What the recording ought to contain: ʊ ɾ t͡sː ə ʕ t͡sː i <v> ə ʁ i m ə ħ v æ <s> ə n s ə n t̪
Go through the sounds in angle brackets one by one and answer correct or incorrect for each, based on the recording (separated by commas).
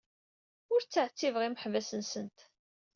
correct, correct